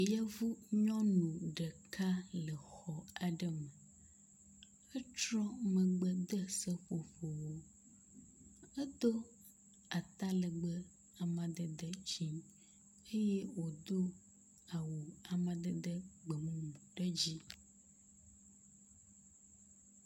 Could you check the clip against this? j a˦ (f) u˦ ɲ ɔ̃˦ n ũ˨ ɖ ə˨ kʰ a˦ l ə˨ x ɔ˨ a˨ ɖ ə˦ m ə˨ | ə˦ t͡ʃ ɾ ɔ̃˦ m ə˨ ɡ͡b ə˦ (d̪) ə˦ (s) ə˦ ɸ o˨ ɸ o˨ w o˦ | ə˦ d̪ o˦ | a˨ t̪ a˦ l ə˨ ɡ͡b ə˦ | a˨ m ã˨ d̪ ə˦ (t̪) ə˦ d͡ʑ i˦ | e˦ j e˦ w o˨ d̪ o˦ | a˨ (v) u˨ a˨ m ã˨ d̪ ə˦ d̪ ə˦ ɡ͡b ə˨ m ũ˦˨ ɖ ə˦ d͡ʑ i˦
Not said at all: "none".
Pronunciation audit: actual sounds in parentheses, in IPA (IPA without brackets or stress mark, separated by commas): v, d̪, s, d̪, w